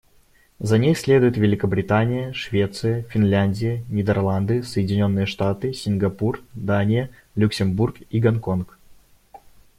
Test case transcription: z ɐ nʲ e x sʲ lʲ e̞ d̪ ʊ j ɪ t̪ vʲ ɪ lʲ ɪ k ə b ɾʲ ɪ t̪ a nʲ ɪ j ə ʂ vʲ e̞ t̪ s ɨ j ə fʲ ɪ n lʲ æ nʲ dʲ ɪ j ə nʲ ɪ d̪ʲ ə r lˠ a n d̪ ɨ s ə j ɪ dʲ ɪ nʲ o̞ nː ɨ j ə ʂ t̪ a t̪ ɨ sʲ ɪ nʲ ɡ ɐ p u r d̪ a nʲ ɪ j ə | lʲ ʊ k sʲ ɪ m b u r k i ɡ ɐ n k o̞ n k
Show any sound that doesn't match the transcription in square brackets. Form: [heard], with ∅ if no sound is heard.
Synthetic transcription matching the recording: z ɐ nʲ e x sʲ lʲ e̞ d̪ ʊ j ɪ t̪ vʲ ɪ lʲ ɪ k ə b ɾʲ ɪ t̪ a nʲ ɪ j ə ʂ vʲ e̞ t̪ s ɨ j ə fʲ ɪ n lʲ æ nʲ dʲ ɪ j ə nʲ ɪ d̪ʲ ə r lˠ a n d̪ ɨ s ə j ɪ dʲ ɪ nʲ o̞ nː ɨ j ə ʂ t̪ a t̪ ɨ sʲ ɪ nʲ ɡ ɐ p u r d̪ a nʲ ɪ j ə | lʲ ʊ k sʲ ɪ m b u r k i ɡ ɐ n k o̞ n k